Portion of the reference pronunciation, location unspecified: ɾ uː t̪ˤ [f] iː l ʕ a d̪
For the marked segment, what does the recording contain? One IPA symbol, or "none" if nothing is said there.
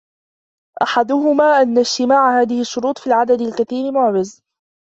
f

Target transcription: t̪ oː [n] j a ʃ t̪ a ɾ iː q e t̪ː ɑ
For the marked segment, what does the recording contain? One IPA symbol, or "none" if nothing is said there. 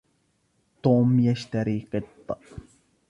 m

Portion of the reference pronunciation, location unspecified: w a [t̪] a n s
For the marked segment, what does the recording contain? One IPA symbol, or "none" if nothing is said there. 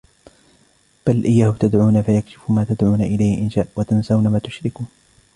t̪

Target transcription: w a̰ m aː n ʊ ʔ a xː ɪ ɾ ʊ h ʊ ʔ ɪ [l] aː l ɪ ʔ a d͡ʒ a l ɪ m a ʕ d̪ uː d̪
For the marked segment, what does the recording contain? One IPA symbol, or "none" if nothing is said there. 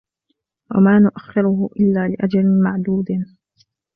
lː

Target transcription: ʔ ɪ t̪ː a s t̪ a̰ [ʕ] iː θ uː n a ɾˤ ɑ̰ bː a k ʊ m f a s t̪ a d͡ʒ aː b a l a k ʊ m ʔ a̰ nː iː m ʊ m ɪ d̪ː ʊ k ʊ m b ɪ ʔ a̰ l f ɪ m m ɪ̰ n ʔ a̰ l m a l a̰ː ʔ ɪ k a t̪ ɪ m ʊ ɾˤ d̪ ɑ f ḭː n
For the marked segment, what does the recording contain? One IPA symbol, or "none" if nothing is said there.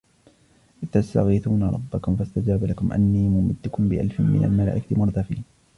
ɣ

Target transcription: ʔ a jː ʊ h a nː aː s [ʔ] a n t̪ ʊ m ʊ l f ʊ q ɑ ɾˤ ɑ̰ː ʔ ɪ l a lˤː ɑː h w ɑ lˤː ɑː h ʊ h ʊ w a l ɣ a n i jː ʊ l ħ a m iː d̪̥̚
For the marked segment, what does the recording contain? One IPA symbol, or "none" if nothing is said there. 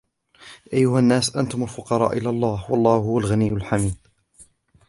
ʔ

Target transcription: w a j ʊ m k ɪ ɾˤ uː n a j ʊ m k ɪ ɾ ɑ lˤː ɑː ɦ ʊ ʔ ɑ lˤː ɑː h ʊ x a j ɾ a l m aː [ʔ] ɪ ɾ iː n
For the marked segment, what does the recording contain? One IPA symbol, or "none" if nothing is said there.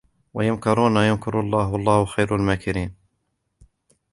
k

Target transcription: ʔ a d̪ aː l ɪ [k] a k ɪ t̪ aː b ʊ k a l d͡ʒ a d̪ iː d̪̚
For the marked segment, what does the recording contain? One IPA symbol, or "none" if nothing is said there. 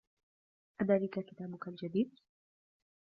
k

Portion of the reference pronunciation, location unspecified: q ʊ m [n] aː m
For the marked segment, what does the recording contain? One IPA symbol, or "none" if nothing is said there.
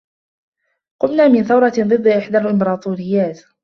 n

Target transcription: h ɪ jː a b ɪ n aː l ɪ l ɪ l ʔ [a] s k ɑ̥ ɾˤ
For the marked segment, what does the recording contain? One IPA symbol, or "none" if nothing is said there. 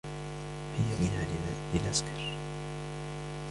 a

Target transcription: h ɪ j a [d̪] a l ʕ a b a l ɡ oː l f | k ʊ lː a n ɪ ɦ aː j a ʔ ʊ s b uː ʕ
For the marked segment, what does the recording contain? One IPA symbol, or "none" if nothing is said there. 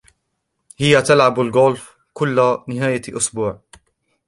t̪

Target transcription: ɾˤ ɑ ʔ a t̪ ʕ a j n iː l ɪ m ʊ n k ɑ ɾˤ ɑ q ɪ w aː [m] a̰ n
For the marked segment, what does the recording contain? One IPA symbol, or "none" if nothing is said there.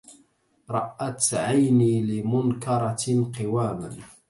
m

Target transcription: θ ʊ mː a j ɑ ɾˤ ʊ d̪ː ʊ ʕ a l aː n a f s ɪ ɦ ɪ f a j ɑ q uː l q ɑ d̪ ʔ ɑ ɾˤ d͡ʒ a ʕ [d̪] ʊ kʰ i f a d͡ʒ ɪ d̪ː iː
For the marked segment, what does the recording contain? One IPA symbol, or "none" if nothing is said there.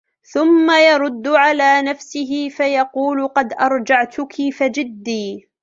t̪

